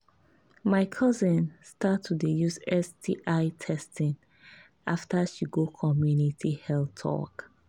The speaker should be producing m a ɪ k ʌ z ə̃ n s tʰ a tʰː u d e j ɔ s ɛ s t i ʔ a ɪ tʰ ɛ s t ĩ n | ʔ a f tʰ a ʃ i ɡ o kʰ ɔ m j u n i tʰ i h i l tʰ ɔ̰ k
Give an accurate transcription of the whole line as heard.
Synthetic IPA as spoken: m a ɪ kʰ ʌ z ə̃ n s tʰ a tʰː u d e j u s ɛ s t i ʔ a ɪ tʰ ɛ s t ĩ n | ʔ a f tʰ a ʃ i ɡ o kʰ ɔ m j u n i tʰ i h ɛ l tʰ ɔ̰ k